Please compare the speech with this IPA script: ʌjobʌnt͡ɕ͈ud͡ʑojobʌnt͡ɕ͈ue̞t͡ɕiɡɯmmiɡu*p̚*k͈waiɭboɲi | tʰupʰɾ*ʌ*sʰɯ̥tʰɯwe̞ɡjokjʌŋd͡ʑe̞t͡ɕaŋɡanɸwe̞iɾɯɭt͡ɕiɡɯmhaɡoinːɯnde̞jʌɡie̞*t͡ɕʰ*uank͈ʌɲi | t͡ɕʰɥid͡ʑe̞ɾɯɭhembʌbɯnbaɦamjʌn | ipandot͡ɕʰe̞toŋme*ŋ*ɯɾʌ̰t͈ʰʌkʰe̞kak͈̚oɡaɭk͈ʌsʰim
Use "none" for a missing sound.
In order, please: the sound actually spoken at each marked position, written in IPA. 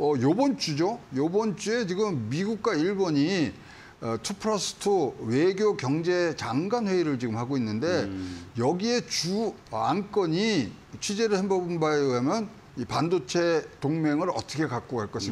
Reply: k̚, ʌ, t͡ɕ, ŋ

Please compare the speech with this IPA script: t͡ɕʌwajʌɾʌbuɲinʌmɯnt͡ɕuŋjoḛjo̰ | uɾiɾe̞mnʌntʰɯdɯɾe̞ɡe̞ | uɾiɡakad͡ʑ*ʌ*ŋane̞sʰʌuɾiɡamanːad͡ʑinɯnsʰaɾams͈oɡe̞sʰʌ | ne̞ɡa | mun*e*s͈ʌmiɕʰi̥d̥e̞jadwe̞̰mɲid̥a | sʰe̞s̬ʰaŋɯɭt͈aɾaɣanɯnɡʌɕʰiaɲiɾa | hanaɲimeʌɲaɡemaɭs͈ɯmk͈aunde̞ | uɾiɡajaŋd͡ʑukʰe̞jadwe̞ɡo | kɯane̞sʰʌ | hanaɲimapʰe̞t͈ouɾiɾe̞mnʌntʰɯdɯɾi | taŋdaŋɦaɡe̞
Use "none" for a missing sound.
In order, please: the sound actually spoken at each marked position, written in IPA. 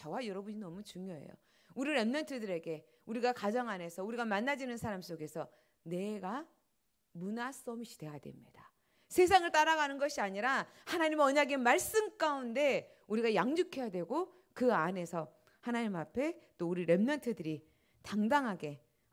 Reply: ʌ, a

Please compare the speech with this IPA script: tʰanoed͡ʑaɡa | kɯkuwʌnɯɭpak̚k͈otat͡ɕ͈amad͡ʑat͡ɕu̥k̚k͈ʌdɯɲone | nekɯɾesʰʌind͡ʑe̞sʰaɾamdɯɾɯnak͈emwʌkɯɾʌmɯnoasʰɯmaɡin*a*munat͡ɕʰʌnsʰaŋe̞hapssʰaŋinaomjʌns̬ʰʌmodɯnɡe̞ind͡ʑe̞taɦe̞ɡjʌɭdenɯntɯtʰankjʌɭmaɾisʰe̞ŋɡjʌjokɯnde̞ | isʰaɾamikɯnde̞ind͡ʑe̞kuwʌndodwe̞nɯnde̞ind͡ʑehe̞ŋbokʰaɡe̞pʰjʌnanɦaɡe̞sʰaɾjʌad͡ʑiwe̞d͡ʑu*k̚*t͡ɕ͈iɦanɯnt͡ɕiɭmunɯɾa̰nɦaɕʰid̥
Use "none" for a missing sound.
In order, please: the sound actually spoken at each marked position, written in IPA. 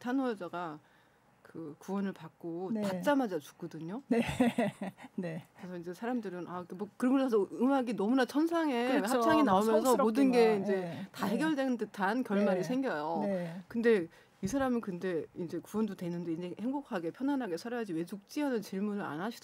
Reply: ʌ, k̚

